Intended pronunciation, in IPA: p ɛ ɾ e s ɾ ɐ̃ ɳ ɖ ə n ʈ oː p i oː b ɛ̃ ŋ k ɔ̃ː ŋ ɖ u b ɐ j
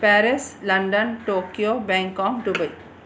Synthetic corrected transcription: p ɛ ɾ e s l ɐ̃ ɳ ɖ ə n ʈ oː k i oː b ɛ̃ ŋ k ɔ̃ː ŋ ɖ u b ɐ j